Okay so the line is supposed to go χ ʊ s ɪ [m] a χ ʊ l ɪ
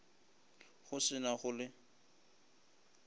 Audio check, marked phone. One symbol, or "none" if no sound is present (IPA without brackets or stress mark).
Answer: n